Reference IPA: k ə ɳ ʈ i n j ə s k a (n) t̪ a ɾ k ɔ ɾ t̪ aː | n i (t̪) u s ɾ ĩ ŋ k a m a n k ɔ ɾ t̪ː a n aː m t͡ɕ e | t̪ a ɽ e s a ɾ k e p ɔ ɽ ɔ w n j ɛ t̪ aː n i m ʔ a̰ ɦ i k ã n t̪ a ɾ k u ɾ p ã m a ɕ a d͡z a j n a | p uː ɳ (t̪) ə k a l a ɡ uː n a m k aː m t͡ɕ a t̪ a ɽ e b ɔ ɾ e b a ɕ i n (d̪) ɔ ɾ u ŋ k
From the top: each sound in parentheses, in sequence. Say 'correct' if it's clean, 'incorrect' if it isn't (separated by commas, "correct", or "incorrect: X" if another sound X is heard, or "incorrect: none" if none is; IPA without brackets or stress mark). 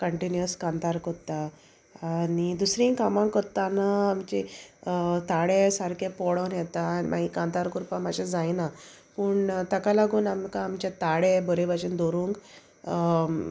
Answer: correct, incorrect: d̪, correct, correct